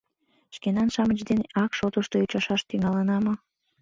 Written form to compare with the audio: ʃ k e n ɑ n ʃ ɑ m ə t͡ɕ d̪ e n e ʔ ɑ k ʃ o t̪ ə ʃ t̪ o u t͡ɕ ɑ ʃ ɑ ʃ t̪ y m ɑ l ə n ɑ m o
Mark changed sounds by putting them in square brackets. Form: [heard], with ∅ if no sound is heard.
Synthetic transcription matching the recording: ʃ k e n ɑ n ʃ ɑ m ə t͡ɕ d̪ e n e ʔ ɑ k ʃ o t̪ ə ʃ t̪ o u t͡ɕ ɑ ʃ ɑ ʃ t̪ y [ŋ] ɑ l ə n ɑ m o